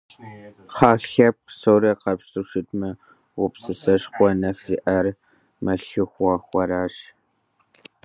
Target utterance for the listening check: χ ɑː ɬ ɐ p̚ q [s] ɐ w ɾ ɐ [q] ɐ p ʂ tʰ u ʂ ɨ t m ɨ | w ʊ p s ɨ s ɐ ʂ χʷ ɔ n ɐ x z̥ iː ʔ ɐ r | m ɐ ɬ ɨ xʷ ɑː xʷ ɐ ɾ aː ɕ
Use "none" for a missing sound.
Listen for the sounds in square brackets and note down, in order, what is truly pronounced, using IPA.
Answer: s, q

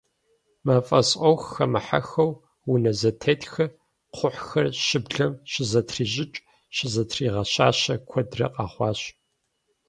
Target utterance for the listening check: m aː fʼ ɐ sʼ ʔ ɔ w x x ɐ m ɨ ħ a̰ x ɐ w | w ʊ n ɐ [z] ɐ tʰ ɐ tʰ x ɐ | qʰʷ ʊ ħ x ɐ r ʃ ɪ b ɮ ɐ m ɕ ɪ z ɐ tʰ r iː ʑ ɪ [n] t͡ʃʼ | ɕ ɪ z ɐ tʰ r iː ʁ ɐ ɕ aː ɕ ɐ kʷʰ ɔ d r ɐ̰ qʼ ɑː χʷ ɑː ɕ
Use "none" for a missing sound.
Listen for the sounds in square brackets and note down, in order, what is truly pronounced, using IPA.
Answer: z, none

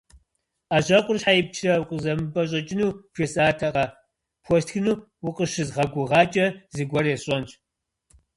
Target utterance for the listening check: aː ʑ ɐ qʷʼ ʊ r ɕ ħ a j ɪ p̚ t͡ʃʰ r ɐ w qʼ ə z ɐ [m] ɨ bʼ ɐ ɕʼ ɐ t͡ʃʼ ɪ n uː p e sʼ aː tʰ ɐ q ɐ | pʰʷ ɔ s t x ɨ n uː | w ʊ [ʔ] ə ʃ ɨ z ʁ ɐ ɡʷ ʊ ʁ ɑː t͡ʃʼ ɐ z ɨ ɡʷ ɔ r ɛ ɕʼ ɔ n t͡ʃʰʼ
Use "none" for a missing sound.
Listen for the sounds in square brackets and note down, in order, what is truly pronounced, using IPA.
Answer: m, q

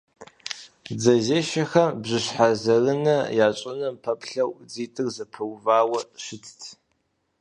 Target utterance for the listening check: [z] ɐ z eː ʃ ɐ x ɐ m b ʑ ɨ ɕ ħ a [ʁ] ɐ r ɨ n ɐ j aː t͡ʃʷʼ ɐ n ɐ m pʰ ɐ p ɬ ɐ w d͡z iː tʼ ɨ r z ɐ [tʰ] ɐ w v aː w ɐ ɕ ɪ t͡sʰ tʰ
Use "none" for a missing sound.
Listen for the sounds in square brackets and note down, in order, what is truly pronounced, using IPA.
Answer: d͡z, z, pʰ

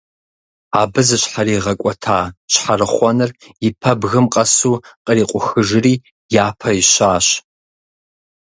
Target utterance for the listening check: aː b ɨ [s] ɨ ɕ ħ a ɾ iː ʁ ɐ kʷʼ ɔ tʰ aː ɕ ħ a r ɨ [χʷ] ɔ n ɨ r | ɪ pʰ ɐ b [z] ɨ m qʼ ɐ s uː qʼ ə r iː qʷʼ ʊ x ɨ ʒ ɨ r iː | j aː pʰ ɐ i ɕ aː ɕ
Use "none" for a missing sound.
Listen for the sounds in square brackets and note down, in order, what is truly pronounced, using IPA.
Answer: z, χʷ, ɣ

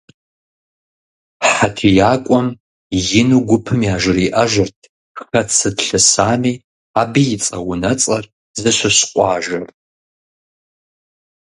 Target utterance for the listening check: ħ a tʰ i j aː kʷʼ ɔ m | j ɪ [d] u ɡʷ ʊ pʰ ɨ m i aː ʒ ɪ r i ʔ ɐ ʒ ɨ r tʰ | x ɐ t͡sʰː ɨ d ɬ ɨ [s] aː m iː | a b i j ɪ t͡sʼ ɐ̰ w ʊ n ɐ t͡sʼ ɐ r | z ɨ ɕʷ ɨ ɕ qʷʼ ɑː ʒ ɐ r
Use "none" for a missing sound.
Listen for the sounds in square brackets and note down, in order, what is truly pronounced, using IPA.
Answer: n, s

